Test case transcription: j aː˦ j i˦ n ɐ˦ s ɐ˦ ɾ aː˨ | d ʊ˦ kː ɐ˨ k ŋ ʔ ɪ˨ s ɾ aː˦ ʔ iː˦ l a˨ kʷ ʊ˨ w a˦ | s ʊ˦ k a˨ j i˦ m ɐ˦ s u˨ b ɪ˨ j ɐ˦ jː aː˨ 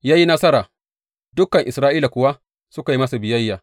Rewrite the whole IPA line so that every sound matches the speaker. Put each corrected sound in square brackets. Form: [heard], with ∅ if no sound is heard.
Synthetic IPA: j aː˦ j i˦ n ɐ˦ s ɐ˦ ɾ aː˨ | d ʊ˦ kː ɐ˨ [∅] ŋ ʔ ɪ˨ s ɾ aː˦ ʔ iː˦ l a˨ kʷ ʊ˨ w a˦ | s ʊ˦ k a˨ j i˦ m ɐ˦ s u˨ b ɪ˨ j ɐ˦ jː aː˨